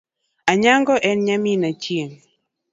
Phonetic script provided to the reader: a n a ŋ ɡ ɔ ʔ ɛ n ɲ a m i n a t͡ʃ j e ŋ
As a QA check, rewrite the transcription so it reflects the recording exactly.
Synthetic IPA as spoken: a ɲ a ŋ ɡ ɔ ʔ ɛ n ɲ a m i n a t͡ʃ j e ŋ